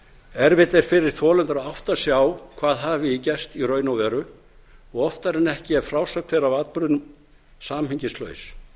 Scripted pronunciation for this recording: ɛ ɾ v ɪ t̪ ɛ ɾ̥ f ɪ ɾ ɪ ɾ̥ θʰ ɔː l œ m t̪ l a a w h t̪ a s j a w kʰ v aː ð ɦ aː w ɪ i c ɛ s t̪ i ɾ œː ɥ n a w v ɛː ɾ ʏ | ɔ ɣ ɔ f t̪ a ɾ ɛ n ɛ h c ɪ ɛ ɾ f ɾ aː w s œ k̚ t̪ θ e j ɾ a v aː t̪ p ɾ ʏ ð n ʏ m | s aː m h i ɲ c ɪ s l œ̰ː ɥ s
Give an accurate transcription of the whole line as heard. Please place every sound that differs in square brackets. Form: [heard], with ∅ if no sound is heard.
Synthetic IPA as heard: ɛ ɾ v ɪ t̪ ɛ ɾ̥ f ɪ ɾ ɪ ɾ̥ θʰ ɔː l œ [n] t̪ [ɾ] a a w h t̪ a s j a w kʰ v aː ð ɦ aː [v] ɪ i c ɛ s t̪ i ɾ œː ɥ n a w v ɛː ɾ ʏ | ɔ ɣ ɔ f t̪ a ɾ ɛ n ɛ h c ɪ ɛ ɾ f ɾ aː w s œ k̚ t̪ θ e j ɾ a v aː t̪ p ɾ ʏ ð n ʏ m | s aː m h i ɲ c ɪ s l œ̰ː ɥ s

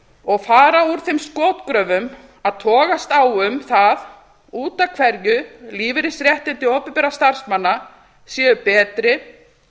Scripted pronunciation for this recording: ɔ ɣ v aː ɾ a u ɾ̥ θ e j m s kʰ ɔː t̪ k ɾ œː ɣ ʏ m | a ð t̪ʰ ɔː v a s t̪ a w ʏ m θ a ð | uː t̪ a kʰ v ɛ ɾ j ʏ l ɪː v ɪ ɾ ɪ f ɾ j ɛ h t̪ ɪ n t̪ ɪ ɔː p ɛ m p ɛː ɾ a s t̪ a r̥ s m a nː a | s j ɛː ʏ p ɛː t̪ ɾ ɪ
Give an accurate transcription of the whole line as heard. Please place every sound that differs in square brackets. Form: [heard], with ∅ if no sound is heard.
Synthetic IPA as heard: ɔ ɣ [f] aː ɾ a u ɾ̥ θ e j m s [k] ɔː t̪ k ɾ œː [v] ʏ m | a ð t̪ʰ ɔː [ɣ] a s t̪ a w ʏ m θ a ð | uː t̪ a kʰ v ɛ ɾ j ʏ l [iː] v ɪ ɾ ɪ [s] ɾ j ɛ h t̪ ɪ n t̪ ɪ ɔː p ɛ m p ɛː ɾ a s t̪ a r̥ s m a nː a | s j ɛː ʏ p ɛː t̪ ɾ ɪ

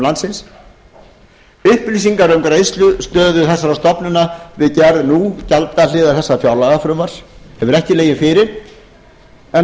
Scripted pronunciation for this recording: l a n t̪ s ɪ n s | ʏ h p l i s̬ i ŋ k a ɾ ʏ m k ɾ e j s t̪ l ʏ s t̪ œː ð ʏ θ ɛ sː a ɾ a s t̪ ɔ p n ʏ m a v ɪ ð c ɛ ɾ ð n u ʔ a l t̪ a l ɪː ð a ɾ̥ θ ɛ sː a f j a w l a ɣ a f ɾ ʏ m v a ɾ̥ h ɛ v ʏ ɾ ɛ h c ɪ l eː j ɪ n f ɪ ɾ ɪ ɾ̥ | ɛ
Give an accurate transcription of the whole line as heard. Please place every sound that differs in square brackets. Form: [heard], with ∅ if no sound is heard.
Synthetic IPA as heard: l a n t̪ s ɪ n s | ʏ h p l i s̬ i ŋ k a ɾ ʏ m k ɾ e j s t̪ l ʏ s t̪ œː ð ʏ θ ɛ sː a ɾ a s t̪ ɔ p n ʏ [n] a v ɪ ð c ɛ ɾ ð n u [c] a l t̪ a l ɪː ð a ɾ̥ θ ɛ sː a f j a w l a ɣ a f ɾ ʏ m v a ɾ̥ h ɛ v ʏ ɾ ɛ h c ɪ l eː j ɪ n f ɪ ɾ ɪ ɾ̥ | ɛ

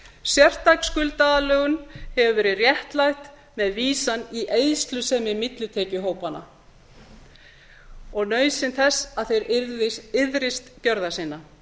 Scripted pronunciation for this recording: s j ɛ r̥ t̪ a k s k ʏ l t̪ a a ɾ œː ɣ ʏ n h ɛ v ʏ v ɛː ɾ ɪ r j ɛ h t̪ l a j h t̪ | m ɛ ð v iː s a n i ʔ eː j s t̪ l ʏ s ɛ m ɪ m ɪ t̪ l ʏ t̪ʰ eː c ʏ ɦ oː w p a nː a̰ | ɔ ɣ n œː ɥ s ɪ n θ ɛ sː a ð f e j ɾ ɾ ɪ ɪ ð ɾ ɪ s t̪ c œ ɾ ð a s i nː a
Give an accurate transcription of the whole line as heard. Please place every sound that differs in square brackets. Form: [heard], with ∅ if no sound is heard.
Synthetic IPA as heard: s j ɛ r̥ t̪ a k s k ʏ l t̪ a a [l] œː ɣ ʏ n h ɛ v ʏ v ɛː ɾ ɪ r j ɛ h t̪ l a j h t̪ | m ɛ ð v iː s a n i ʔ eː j s t̪ l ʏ s ɛ m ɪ m ɪ t̪ l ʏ t̪ʰ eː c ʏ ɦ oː w p a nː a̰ | ɔ ɣ n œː ɥ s ɪ n θ ɛ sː a ð [θ] e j ɾ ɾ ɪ ɪ ð ɾ ɪ s t̪ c œ ɾ ð a s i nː a

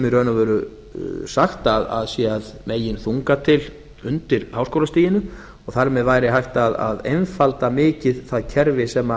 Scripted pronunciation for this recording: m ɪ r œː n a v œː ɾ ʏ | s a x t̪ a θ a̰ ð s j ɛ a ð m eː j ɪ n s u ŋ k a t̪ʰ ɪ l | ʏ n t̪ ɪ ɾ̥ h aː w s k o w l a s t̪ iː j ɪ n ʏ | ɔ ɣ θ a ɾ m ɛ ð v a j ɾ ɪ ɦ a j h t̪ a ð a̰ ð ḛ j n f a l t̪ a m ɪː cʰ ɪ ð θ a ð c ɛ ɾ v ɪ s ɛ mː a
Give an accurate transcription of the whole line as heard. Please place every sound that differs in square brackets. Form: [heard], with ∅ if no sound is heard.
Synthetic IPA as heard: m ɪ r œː n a v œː ɾ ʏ | s a x t̪ a [ð] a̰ ð s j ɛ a ð m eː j ɪ n [θ] u ŋ k a t̪ʰ ɪ l | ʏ n t̪ ɪ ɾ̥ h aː w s k o w l a s t̪ iː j ɪ n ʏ | ɔ ɣ θ a ɾ m ɛ ð v a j ɾ ɪ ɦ a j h t̪ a ð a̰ ð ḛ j n f a l t̪ a m ɪː [c] ɪ ð θ a ð [cʰ] ɛ ɾ v ɪ s ɛ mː a

